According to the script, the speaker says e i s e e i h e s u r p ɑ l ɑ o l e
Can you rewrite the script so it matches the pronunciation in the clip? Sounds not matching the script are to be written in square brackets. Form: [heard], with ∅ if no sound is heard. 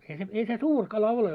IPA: e i s e e i [s] e s [uː] r [k] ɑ l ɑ o l e